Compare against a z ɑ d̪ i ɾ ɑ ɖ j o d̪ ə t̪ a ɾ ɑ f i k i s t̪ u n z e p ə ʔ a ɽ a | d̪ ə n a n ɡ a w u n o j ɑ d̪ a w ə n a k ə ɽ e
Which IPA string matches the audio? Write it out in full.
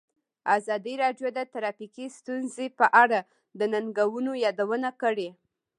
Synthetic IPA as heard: a z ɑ d̪ i ɾ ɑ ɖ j o d̪ ə t̪ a ɾ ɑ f i k i s t̪ u n z e p ə ʔ a ɽ a | d̪ ə n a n ɡ a w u n o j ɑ d̪ a w ə n a k ə ɽ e